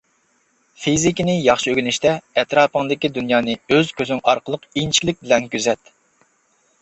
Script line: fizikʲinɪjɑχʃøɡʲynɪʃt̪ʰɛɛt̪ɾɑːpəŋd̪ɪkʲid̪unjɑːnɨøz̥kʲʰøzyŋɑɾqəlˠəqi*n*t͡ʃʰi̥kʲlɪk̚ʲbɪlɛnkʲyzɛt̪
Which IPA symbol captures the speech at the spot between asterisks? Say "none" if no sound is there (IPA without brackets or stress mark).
n